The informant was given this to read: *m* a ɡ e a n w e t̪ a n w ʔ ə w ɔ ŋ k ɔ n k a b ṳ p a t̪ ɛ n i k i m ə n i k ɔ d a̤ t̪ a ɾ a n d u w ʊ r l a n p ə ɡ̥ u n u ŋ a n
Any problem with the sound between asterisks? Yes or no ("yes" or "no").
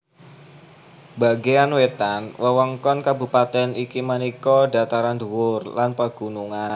yes